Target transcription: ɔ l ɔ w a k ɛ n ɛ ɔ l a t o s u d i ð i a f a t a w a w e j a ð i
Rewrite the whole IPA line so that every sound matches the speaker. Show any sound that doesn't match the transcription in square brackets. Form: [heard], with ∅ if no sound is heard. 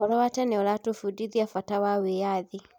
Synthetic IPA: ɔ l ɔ w a [t] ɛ n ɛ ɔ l a t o [f] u d i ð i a f a t a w a w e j a ð i